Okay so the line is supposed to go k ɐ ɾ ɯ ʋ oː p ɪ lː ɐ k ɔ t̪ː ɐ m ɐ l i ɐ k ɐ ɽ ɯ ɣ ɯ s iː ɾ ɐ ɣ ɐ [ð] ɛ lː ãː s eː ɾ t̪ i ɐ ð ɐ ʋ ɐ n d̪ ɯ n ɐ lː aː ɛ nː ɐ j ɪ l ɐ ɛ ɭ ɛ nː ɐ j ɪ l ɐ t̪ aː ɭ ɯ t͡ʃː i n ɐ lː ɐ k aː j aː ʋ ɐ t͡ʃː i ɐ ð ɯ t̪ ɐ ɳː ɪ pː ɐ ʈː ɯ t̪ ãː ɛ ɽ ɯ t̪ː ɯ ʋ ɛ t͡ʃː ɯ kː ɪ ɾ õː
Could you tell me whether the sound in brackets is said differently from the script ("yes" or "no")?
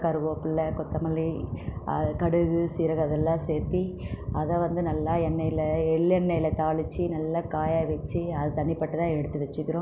no